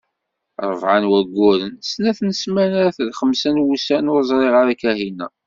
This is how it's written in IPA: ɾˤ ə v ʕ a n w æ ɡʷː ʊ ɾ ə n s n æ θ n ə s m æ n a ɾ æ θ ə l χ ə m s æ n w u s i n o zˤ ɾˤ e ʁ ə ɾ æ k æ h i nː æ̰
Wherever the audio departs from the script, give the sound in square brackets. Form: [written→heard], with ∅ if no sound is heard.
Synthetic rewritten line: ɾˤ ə v ʕ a n w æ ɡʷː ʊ ɾ ə n s n æ θ n ə s m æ n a ɾ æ θ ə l χ ə m s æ n w u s [i→æ] n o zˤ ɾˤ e ʁ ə ɾ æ k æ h i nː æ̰